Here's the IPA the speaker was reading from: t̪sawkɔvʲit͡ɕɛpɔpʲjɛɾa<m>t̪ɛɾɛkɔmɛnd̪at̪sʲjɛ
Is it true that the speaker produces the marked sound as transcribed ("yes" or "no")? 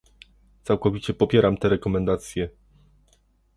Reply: yes